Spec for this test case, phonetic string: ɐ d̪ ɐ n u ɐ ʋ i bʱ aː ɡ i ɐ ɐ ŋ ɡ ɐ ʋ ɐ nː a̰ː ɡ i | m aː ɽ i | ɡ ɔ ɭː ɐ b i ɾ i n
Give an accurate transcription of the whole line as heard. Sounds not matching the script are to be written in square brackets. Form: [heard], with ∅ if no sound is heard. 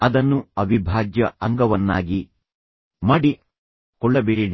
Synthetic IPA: ɐ d̪ ɐ [nː] u ɐ ʋ i bʱ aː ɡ [j] ɐ ɐ ŋ ɡ ɐ ʋ ɐ nː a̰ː ɡ i | m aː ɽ i | [k] ɔ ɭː ɐ b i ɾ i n